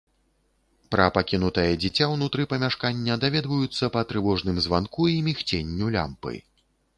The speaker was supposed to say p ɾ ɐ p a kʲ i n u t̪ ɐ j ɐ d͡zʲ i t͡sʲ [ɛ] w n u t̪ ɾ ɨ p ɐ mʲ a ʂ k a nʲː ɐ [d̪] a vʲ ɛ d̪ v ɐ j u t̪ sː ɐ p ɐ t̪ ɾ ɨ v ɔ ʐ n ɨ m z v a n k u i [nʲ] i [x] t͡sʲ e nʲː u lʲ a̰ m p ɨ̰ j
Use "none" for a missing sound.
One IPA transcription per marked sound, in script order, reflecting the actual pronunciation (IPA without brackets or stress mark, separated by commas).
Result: a, d̪, mʲ, x